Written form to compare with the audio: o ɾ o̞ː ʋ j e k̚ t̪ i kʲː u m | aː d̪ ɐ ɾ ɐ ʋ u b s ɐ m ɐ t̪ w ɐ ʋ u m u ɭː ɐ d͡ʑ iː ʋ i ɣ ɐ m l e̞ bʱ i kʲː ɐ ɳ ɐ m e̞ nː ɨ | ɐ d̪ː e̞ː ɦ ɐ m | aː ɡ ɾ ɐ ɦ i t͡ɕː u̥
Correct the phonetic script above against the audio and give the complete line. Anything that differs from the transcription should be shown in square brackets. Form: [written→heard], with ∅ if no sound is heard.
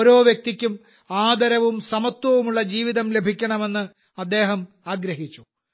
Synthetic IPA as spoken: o ɾ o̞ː ʋ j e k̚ t̪ i kʲː u m | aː d̪ ɐ ɾ ɐ ʋ u [b→m] s ɐ m ɐ t̪ w ɐ ʋ u m u ɭː ɐ d͡ʑ iː ʋ i [ɣ→ð] ɐ m l e̞ bʱ i kʲː ɐ ɳ ɐ m e̞ nː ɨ | ɐ d̪ː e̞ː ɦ ɐ m | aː ɡ ɾ ɐ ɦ i t͡ɕː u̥